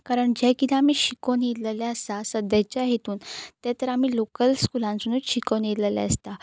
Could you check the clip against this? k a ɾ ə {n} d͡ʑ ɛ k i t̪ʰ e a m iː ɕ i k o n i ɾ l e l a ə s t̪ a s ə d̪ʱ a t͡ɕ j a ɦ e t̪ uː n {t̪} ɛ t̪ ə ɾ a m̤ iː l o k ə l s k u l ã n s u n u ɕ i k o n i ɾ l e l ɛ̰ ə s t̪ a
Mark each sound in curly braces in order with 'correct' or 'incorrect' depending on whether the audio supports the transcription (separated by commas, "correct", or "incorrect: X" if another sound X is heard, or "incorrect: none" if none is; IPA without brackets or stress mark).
incorrect: ɳ, correct